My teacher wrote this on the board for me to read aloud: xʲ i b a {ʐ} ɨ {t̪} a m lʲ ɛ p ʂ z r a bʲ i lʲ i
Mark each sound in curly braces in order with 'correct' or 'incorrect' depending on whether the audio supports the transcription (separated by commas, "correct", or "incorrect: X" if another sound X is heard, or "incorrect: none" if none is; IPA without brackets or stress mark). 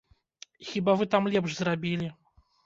incorrect: v, correct